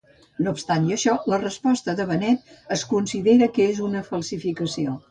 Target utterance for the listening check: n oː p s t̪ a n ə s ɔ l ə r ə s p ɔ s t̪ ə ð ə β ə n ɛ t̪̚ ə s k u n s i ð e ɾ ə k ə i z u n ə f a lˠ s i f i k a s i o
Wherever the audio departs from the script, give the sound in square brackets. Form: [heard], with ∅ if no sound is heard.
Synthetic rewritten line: n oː p s t̪ a n ə [ʃ] ɔ l ə r ə s p ɔ s t̪ ə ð ə β ə n ɛ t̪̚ ə s k u n s i ð e ɾ ə k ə [e] z u n ə f [ə] lˠ s i f i k [ə] s i o